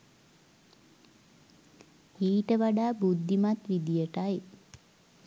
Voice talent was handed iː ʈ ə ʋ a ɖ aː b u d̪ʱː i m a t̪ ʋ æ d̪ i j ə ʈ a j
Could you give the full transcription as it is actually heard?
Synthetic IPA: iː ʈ ə ʋ a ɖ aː b u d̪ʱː i m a t̪ ʋ i d̪ i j ə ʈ a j